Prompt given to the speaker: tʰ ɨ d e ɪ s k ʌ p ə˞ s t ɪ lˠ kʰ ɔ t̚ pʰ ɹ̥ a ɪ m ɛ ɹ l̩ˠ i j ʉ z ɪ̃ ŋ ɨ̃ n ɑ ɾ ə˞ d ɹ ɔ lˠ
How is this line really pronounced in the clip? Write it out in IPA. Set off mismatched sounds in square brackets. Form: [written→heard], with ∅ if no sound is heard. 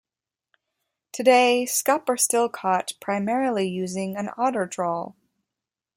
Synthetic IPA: tʰ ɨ d e ɪ s k ʌ p ə˞ s t ɪ lˠ kʰ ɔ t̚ pʰ ɹ̥ a ɪ m ɛ ɹ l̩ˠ i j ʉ z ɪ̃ ŋ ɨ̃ n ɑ ɾ ə˞ d ɹ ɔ lˠ

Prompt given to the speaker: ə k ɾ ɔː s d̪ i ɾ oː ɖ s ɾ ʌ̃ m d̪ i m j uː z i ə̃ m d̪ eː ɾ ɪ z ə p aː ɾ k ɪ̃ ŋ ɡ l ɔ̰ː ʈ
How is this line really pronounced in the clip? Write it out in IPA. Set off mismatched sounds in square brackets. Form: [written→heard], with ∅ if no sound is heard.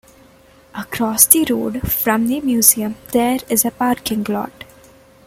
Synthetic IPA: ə k ɾ ɔː s d̪ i ɾ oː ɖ [s→f] ɾ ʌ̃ m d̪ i m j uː z i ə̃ m d̪ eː ɾ ɪ z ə p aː ɾ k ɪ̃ ŋ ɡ l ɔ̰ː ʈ

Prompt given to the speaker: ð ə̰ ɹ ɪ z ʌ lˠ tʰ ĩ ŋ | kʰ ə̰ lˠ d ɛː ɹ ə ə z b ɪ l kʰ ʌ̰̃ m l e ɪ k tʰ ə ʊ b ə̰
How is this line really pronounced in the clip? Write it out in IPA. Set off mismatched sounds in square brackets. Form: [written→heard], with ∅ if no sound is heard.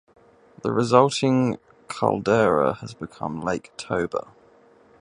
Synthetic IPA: ð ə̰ ɹ ɪ z ʌ lˠ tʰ [ĩ→ɪ̃] ŋ | kʰ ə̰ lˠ d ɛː ɹ ə ə z b ɪ [l→∅] kʰ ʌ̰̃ m l e ɪ k tʰ ə ʊ b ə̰

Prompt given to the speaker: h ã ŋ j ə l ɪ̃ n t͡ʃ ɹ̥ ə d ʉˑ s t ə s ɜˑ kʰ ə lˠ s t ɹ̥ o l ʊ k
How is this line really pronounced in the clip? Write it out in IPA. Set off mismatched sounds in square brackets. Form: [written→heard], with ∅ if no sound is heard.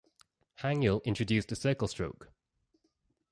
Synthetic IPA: h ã ŋ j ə l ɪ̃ n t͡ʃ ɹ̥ ə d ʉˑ s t ə s ɜˑ [kʰ→k] ə lˠ s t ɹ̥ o [l→∅] ʊ k

